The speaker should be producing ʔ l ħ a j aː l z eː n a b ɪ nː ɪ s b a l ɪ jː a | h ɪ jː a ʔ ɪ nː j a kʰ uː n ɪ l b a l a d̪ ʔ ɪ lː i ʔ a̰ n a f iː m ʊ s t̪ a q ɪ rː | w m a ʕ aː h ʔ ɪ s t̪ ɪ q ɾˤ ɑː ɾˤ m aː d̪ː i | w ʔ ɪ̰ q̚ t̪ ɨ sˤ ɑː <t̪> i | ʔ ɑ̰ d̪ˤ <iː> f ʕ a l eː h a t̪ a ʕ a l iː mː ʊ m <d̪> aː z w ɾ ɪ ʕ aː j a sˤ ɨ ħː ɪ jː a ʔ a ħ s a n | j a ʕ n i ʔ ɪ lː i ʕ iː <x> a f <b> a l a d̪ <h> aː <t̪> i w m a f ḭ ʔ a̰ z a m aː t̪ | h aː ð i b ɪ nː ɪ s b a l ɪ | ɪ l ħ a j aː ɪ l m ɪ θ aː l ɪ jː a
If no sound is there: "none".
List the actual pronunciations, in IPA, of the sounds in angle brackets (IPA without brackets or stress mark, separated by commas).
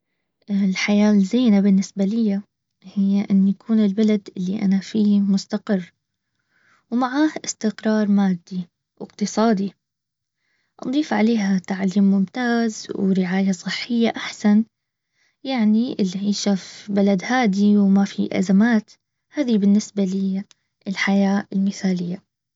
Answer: d̪, iː, t̪, ʃ, b, h, d̪